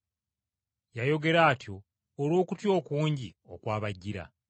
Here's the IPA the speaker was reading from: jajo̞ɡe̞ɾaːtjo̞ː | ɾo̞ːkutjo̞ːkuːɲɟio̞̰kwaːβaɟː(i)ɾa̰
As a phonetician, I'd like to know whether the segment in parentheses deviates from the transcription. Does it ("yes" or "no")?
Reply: no